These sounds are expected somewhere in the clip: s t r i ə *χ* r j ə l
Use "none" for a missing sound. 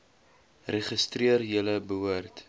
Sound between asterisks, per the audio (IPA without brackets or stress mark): none